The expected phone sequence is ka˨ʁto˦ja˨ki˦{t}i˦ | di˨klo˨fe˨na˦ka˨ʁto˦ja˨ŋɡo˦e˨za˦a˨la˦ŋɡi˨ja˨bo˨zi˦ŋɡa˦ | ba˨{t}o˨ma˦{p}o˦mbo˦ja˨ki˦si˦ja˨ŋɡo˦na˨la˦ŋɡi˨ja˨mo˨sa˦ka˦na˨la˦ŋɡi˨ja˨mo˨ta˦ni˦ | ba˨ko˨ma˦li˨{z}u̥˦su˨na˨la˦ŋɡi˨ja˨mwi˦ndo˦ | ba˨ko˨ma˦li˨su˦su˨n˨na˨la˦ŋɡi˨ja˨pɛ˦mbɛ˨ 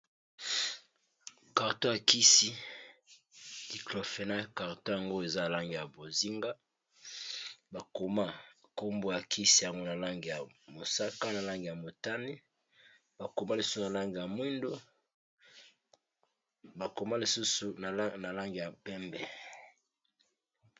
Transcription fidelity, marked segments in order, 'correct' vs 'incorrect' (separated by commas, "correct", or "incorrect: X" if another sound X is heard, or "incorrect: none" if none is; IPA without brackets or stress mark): incorrect: s, incorrect: k, incorrect: k, incorrect: s